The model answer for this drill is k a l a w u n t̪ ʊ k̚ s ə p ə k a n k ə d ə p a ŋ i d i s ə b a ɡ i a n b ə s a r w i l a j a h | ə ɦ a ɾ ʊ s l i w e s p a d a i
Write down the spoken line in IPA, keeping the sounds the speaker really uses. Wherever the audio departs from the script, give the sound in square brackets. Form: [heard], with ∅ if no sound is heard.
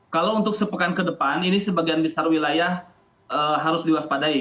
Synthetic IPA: k a l a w u n t̪ ʊ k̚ s ə p ə k a n k ə d ə p a [n] i [n] i s ə b a ɡ i a n b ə s a r w i l a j a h | ə ɦ a ɾ ʊ s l i w [a] s p a d a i